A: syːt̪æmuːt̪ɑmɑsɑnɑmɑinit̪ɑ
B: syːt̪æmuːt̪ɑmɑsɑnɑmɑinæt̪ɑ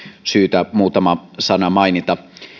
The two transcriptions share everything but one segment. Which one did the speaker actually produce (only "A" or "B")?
A